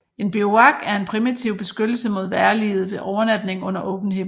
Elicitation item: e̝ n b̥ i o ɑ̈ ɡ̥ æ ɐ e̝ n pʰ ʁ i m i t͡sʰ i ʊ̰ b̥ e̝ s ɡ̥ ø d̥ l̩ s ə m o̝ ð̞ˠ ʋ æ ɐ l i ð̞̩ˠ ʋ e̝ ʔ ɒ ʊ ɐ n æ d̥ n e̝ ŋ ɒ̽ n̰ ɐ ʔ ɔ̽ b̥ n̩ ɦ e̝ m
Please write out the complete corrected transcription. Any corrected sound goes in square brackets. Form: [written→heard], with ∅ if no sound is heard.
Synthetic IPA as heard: e̝ n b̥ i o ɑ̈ ɡ̥ æ ɐ e̝ n pʰ ʁ i m i t͡sʰ i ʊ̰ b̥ e̝ s ɡ̥ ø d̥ l̩ s ə m o̝ ð̞ˠ ʋ æ ɐ l i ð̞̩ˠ ʋ e̝ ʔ ɒ ʊ ɐ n æ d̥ n e̝ ŋ [ɒ̽→ɔ̽] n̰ ɐ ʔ ɔ̽ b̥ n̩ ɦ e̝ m